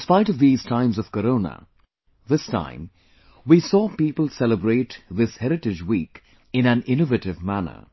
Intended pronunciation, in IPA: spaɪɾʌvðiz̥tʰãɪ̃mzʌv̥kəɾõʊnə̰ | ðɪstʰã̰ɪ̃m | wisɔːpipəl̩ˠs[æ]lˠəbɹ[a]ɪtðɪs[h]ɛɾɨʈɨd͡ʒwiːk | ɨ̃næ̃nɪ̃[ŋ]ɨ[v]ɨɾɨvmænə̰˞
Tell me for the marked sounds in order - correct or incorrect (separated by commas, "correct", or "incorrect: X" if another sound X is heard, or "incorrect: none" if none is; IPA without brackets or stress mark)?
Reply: incorrect: ɛ, incorrect: e, correct, incorrect: n, correct